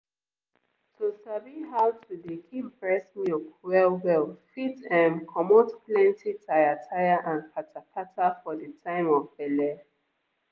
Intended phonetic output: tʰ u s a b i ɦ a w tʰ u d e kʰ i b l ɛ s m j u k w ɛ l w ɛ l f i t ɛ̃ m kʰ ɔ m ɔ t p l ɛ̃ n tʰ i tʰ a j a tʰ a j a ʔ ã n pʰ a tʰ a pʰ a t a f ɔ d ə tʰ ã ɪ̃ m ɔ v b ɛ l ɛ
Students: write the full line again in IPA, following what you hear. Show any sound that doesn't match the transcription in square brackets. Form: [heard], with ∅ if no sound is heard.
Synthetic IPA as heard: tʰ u s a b i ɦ a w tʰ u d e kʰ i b [ɹ] ɛ s m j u k w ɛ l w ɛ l f i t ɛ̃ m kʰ ɔ m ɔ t p l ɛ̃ n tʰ i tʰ a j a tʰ a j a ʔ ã n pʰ a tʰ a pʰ a t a f ɔ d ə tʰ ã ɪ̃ m ɔ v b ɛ l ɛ